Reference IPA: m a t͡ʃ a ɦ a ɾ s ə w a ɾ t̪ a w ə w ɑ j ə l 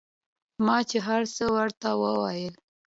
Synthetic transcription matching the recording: m ɑ t͡ʃ e ɦ a ɾ s ə w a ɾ t̪ a w ə w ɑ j ə l